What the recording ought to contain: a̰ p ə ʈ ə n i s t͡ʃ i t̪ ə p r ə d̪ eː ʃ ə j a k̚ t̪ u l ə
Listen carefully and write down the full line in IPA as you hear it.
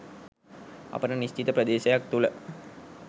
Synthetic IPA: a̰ p ə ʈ ə n i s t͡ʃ i t̪ ə p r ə d̪ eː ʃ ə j a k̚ t̪ u l ə